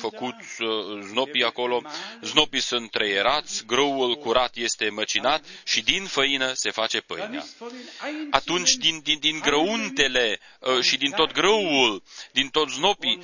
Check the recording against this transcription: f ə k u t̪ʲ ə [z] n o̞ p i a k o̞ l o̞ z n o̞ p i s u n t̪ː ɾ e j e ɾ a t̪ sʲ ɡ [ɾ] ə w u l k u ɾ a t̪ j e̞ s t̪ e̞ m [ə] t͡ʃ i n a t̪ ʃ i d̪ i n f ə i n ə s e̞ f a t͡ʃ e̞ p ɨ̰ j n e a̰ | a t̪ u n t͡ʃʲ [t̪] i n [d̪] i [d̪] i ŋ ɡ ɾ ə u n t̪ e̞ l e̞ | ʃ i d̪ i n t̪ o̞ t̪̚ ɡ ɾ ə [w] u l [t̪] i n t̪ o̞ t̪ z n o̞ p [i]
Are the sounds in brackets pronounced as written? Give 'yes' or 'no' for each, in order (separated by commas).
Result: yes, yes, yes, no, yes, yes, yes, no, yes